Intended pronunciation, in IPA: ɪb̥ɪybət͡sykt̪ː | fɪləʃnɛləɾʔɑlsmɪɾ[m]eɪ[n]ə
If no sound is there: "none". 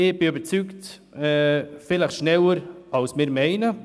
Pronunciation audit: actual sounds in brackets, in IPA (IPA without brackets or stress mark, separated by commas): m, n